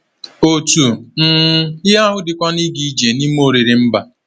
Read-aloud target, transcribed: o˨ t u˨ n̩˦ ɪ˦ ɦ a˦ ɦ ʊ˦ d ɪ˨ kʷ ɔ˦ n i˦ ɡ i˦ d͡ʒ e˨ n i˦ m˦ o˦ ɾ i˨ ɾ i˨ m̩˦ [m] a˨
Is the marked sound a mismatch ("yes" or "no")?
yes